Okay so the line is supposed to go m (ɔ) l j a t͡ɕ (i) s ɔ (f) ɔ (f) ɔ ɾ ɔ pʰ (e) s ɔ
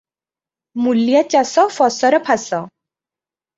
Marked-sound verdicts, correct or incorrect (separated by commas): incorrect, incorrect, correct, incorrect, incorrect